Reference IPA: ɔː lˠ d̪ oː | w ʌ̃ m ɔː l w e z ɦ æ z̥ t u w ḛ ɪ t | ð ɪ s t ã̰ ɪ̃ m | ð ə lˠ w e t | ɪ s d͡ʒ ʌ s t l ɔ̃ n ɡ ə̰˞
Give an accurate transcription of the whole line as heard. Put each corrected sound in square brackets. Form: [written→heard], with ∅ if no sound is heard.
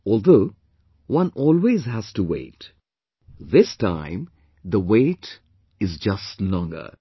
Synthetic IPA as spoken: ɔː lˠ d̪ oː | w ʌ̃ [m→n] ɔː l w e z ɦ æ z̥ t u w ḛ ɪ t | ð ɪ s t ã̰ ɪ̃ m | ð ə [lˠ→∅] w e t | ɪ [s→z] d͡ʒ ʌ s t l ɔ̃ [n→ŋ] ɡ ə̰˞

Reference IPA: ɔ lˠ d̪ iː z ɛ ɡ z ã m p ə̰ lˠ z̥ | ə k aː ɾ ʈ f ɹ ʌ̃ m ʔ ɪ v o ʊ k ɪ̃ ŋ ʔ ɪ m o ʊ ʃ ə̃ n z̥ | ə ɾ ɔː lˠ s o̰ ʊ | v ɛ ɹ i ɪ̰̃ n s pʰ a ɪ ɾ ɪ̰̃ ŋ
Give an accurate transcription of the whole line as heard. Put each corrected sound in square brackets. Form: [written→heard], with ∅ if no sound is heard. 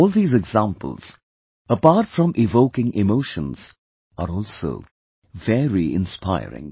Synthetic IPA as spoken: ɔ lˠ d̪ iː z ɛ ɡ z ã m p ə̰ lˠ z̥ | ə [k→p] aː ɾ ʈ f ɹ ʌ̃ m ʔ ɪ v o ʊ k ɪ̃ ŋ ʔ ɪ m o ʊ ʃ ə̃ n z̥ | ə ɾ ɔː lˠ s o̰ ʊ | v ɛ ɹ i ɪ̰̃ n s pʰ a ɪ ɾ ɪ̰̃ ŋ

